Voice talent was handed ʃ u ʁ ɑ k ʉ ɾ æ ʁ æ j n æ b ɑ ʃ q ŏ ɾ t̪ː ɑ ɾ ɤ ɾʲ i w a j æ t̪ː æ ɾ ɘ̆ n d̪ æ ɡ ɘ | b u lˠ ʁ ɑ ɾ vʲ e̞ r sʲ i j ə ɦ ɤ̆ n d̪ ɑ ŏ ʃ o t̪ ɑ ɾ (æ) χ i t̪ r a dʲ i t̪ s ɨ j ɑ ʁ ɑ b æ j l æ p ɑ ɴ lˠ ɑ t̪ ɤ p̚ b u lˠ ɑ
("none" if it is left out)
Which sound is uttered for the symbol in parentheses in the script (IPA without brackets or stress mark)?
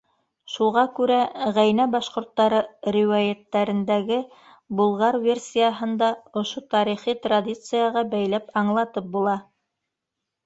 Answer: i